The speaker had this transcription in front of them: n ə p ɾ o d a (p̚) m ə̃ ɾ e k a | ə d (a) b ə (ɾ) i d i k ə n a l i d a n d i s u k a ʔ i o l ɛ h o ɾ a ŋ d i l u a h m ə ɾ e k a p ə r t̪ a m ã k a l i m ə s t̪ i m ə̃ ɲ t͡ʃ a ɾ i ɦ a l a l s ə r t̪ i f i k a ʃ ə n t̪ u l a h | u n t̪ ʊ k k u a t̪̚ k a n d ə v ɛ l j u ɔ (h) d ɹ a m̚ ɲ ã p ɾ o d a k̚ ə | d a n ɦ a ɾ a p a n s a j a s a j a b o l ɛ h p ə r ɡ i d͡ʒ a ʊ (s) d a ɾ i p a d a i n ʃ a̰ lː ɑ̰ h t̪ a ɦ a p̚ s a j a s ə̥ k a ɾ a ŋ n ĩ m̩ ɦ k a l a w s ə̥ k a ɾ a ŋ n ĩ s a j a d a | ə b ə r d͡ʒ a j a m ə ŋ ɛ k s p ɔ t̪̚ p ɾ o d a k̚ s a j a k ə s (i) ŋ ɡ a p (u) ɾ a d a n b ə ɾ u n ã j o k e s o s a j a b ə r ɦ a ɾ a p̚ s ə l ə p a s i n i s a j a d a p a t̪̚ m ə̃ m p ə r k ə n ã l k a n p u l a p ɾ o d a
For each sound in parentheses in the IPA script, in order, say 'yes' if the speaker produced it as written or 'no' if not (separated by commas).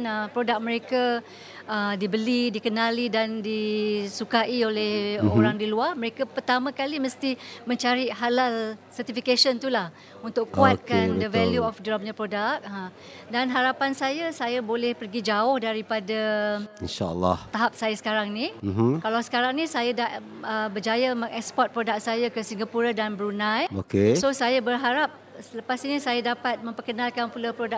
no, no, no, no, no, yes, yes